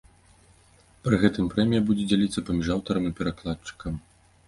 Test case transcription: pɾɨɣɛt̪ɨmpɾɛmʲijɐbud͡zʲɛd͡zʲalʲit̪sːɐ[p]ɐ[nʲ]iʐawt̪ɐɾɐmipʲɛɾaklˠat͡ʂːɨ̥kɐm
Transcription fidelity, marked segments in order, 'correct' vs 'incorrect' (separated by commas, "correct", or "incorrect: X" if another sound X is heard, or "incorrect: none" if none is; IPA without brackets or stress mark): correct, incorrect: mʲ